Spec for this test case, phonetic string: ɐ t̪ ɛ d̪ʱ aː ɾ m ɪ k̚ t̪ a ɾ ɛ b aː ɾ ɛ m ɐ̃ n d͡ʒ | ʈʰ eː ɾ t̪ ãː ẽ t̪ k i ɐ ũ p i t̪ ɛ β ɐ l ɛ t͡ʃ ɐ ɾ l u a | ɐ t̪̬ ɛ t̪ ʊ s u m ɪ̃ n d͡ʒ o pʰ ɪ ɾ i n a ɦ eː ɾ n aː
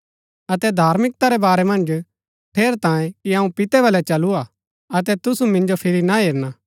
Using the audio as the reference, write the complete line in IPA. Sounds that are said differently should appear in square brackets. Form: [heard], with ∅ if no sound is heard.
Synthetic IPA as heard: ɐ t̪ ɛ d̪ʱ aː ɾ m ɪ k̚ t̪ a ɾ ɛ b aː ɾ ɛ m ɐ̃ n d͡ʒ | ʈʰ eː ɾ t̪ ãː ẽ [∅] k i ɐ ũ p [ɪ] t̪ ɛ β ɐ l ɛ t͡ʃ ɐ [∅] l u a | ɐ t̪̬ ɛ t̪ ʊ s u m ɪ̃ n d͡ʒ o pʰ ɪ ɾ i n a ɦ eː ɾ n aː